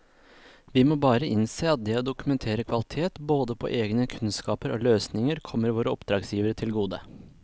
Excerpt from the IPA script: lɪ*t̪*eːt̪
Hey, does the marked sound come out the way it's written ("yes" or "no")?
no